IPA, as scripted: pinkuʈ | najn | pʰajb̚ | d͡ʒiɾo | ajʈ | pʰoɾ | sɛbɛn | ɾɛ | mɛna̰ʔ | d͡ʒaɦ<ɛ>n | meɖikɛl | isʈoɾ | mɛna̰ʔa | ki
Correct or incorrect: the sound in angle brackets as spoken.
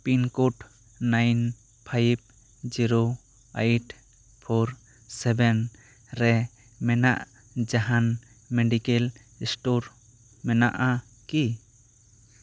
incorrect: a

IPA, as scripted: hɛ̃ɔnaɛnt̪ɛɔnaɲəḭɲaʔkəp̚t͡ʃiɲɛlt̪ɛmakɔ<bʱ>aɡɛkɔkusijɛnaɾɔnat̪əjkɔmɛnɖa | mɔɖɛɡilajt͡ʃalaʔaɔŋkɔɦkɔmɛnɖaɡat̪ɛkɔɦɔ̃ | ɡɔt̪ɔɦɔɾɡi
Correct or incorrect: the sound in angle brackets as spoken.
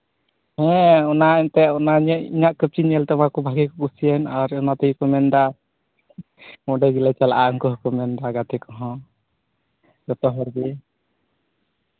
correct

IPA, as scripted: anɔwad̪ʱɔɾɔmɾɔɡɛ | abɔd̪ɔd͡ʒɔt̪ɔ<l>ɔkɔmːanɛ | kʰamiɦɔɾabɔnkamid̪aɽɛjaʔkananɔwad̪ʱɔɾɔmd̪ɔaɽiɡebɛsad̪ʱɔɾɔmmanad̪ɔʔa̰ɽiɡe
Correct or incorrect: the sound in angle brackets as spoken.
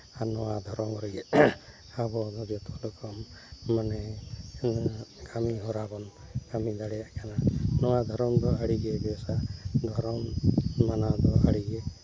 correct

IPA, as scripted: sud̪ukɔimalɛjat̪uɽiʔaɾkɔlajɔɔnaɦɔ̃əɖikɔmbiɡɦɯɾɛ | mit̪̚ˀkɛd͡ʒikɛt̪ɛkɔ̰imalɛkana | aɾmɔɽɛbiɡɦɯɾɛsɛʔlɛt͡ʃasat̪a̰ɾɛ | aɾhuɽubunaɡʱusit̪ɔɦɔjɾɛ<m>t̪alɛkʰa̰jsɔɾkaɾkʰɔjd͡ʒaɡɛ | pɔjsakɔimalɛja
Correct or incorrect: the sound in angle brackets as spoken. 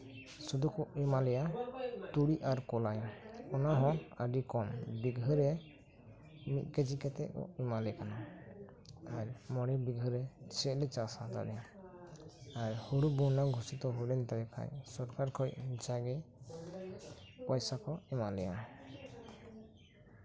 incorrect: n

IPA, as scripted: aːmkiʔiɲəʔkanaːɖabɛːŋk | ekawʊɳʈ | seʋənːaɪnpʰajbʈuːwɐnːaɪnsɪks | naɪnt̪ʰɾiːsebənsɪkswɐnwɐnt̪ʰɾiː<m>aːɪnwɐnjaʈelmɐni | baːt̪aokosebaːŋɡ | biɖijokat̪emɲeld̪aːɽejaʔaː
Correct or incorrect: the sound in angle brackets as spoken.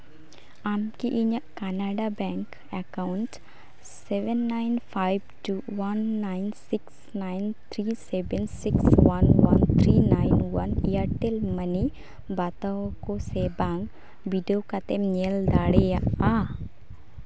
incorrect: n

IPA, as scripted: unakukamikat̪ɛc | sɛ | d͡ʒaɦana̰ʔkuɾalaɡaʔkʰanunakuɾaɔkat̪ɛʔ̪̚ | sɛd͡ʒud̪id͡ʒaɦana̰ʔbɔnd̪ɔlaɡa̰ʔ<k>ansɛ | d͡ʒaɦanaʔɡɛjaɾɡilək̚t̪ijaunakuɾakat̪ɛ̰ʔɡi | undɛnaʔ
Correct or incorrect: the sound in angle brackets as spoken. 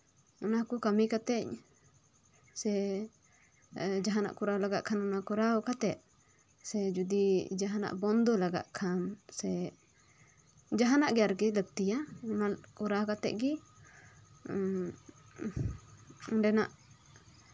incorrect: kʰ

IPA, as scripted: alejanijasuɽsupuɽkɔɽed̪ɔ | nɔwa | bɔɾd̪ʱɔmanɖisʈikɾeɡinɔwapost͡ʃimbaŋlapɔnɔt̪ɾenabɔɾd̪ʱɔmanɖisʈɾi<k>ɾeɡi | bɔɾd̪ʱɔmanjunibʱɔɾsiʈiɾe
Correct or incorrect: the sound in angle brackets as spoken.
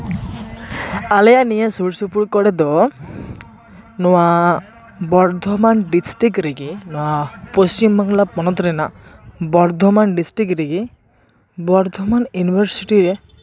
correct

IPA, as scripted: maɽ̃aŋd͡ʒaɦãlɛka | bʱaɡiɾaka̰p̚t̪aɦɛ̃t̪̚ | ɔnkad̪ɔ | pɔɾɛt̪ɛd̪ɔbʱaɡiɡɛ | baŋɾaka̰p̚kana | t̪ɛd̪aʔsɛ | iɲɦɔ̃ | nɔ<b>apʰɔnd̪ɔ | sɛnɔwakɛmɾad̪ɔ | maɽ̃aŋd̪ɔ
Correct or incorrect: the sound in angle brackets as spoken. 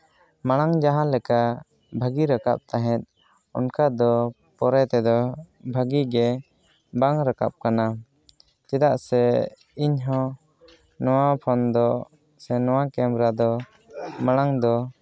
incorrect: w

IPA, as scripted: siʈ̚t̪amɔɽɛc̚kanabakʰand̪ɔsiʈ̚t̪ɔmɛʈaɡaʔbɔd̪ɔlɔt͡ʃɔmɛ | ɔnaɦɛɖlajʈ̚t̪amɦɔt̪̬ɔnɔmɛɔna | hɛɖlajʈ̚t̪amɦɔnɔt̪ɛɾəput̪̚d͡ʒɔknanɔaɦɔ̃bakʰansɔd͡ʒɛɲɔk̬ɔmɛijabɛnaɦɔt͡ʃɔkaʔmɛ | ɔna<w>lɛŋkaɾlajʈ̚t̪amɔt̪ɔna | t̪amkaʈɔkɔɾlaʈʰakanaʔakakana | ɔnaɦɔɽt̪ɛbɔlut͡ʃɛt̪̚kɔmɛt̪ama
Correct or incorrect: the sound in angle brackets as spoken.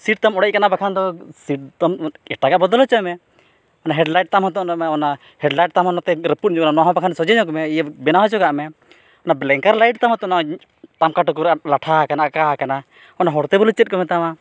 incorrect: b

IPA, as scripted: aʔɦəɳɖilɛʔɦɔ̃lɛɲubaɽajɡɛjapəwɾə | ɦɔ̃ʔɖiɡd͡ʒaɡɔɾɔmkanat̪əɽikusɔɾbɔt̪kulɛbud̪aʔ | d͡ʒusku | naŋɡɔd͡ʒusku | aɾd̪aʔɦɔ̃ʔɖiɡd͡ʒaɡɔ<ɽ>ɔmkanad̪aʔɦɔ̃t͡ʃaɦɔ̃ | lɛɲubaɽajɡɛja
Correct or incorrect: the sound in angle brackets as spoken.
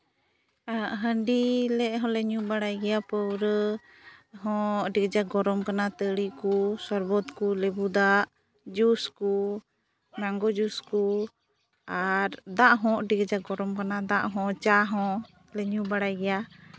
incorrect: ɾ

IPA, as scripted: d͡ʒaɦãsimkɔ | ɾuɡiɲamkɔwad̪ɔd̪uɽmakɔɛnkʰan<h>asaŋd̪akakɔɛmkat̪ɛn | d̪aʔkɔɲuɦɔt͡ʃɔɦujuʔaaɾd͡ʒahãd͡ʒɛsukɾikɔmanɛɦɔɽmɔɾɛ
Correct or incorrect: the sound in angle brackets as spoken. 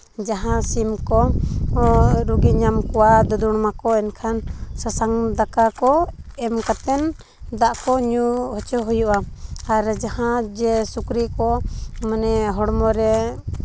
incorrect: s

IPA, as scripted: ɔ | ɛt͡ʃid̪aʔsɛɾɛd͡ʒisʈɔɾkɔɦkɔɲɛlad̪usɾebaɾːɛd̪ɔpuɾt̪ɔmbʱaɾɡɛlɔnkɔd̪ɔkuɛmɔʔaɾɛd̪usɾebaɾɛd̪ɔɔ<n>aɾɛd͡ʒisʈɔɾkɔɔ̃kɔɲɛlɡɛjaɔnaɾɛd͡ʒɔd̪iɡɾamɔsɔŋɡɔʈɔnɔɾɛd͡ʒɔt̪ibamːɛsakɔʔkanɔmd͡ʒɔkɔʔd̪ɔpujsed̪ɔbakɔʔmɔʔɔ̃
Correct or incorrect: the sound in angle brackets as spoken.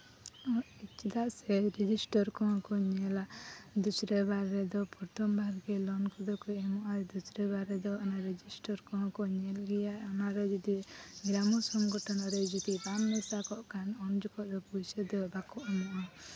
correct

